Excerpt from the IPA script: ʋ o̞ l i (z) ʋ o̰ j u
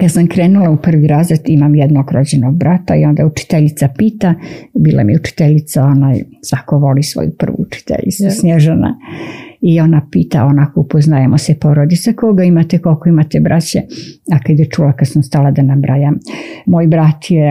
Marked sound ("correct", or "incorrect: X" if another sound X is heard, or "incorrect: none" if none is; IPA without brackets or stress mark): incorrect: s